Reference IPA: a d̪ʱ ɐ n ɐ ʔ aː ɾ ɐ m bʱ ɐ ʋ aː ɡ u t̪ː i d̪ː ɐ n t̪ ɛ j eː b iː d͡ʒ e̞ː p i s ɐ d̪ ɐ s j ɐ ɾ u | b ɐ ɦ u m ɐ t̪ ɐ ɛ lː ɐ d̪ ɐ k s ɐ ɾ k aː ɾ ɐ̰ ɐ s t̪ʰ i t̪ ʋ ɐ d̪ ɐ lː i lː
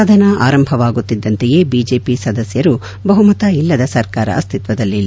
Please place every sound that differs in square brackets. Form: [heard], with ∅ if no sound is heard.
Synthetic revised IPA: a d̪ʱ ɐ n ɐ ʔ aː ɾ ɐ m bʱ ɐ ʋ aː ɡ u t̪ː i d̪ː ɐ n t̪ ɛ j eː b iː d͡ʒ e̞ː p i s ɐ d̪ ɐ s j ɐ ɾ u | b ɐ ɦ u m ɐ t̪ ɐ [i] lː ɐ d̪ ɐ [∅] s ɐ ɾ k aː ɾ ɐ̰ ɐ s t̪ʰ i t̪ ʋ ɐ d̪ ɐ lː i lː